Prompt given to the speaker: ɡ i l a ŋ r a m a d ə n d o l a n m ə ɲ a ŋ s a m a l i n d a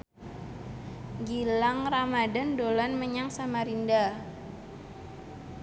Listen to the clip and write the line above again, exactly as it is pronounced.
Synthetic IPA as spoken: ɡ i l a ŋ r a m a d a n d o l a n m ə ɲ a ŋ s a m a ɾ i n d a

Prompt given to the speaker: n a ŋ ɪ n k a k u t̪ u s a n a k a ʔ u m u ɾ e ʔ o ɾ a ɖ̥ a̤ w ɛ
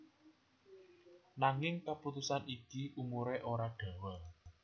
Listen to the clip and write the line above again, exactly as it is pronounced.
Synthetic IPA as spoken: n a ŋ ɪ ŋ k a p u t̪ u s a n i k i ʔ u m u ɾ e ʔ o ɾ a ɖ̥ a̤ w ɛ

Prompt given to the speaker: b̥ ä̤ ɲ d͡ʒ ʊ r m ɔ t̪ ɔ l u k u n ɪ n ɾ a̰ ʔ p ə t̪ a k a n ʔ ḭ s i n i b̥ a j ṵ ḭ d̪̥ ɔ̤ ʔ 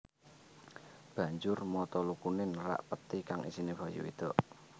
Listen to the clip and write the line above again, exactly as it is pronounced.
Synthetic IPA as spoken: b̥ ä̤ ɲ d͡ʒ ʊ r m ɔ t̪ ɔ l u k u n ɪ n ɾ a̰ ʔ p ə t̪ i k a ŋ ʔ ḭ s i n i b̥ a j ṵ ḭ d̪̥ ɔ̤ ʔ

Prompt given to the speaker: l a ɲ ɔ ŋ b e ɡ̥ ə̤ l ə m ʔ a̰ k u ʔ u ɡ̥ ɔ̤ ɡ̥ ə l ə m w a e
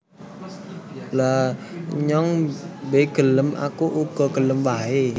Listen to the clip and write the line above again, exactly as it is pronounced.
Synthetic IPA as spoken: l a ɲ ɔ ŋ b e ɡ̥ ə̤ l ə m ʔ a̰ k u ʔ u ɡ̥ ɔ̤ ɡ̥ ə l ə m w a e

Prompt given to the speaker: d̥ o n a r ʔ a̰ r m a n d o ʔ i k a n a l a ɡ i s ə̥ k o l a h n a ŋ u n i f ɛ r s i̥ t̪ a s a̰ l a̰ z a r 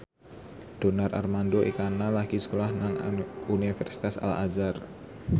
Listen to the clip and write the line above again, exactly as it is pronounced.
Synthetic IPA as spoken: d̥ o n a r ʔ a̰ r m a n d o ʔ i k a n a l a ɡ i s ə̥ k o l a h n a ŋ u n i f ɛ r s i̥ t̪ a s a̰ l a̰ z a r

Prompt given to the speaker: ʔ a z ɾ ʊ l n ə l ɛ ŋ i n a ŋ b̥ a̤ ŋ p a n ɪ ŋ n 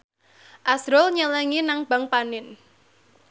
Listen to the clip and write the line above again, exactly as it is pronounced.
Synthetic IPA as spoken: ʔ a s ɾ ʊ l ɲ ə l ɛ ŋ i n a ŋ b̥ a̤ ŋ p a n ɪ n

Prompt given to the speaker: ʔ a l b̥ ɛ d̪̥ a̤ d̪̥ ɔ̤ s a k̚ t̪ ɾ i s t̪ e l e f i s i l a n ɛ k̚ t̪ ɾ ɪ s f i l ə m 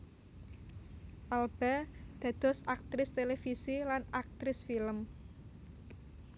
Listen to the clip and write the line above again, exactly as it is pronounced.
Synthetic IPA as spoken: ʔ a l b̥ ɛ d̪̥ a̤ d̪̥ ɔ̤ s a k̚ t̪ ɾ ɪ s t̪ e l e f i s i l a n a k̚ t̪ ɾ ɪ s f i l ə m

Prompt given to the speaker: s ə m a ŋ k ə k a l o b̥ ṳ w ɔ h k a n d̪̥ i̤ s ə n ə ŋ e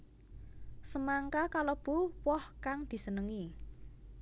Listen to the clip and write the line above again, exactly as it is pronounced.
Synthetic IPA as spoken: s ə m a ŋ k a k a l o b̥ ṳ w ɔ h k a ŋ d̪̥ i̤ s ə n ə ŋ i

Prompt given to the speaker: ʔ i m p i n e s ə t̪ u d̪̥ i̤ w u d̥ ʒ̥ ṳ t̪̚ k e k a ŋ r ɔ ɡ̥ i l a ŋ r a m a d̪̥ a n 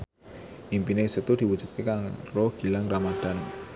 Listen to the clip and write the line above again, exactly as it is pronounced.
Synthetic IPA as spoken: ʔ i m p i n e s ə t̪ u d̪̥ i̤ w u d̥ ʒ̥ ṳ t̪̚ k e k a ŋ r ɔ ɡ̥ i l a ŋ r a m a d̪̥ a n

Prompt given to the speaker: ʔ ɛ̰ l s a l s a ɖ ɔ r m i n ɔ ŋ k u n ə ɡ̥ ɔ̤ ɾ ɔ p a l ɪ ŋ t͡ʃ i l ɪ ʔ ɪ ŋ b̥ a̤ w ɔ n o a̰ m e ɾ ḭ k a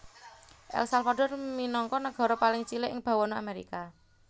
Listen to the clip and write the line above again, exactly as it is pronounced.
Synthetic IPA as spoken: ʔ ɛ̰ l s a l f a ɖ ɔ r m i n ɔ ŋ k ɔ n ə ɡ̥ ɔ̤ ɾ ɔ p a l ɪ ŋ t͡ʃ i l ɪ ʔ ɪ ŋ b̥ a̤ w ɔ n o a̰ m e ɾ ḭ k a

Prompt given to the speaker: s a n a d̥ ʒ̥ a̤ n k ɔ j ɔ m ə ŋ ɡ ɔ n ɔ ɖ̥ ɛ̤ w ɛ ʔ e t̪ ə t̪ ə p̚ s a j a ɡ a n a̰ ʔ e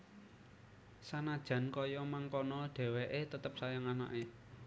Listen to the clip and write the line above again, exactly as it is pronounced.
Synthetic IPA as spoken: s a n a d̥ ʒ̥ a̤ n k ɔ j ɔ m a ŋ k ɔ n ɔ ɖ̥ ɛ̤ w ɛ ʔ e t̪ ə t̪ ə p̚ s a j a ŋ a n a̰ ʔ e

